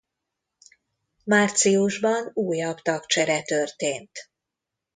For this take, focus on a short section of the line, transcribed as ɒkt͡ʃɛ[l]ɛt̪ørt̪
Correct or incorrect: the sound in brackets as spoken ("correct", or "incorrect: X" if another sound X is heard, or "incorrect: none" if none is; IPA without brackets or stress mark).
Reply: incorrect: ɾ